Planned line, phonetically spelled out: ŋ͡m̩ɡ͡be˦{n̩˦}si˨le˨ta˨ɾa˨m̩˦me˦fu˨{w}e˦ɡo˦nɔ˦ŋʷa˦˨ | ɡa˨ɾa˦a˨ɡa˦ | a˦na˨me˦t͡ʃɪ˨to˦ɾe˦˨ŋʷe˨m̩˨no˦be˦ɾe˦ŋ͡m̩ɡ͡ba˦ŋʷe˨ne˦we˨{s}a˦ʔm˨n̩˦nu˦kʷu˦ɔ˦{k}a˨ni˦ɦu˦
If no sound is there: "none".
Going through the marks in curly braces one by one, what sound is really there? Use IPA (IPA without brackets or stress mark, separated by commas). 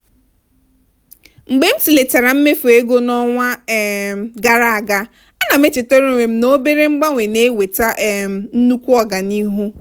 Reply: m̩˦, none, t, ɡ